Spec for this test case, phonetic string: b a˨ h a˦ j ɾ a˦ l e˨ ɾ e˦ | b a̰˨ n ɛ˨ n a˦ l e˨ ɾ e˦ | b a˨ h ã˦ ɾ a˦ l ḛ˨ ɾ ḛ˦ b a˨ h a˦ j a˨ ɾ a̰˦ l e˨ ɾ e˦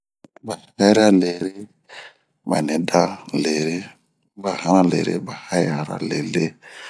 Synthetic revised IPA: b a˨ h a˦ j ɾ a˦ l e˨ ɾ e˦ | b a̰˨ n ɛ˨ d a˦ l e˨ ɾ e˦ | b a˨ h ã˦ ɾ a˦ l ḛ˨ ɾ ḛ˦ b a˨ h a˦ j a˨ ɾ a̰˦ l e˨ l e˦

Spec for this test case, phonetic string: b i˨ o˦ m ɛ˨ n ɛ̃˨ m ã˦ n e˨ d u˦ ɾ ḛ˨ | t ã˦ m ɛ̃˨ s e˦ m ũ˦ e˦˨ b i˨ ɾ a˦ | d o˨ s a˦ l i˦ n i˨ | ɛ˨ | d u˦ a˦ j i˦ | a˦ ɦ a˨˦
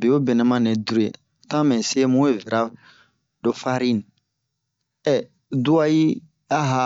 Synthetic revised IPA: b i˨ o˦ b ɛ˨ n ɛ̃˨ m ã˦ n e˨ d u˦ ɾ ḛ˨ | t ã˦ m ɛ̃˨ s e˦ m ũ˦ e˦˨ v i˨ ɾ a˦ | d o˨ f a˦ ɾ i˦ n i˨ | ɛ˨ | d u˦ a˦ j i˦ | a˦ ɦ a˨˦

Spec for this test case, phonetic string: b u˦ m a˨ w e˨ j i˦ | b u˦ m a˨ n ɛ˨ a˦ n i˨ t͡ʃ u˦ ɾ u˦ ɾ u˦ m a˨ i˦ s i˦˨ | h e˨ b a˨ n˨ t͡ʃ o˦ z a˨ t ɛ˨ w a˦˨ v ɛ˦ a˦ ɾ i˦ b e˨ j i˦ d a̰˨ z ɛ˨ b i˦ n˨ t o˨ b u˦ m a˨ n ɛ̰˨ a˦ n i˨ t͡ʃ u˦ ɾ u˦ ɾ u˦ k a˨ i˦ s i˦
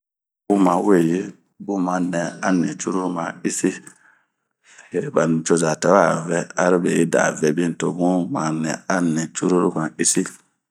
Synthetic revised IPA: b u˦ m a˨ w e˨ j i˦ | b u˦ m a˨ n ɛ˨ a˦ n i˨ t͡ʃ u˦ ɾ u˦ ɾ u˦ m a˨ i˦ s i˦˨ | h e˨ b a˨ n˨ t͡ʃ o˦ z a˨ t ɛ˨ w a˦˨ v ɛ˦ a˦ ɾ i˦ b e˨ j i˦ d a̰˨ v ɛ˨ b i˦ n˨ t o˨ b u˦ m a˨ n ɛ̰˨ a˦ n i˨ t͡ʃ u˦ ɾ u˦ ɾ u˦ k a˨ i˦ s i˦

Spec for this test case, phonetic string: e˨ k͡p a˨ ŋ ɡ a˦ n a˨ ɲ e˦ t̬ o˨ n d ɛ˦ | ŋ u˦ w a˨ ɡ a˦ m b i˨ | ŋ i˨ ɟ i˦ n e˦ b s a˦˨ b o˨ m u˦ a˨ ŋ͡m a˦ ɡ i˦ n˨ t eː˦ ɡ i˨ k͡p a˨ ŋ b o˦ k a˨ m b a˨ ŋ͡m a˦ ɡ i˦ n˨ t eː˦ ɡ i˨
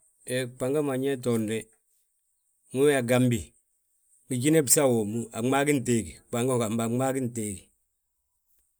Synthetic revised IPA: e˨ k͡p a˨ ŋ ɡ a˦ m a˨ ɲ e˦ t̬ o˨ n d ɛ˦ | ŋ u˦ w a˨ ɡ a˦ m b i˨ | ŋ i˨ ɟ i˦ n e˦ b s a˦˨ w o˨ m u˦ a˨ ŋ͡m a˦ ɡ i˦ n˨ t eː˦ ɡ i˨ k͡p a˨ ŋ ɡ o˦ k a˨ m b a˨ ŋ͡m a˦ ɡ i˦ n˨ t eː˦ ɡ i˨

